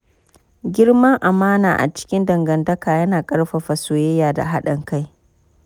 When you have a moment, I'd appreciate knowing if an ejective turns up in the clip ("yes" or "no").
yes